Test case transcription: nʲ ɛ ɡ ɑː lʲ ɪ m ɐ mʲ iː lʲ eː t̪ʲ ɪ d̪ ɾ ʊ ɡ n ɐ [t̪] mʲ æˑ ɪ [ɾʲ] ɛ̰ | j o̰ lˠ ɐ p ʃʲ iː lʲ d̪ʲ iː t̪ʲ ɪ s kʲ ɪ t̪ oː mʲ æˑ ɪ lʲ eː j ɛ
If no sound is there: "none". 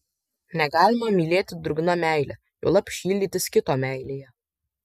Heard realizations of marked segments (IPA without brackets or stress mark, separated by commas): none, lʲ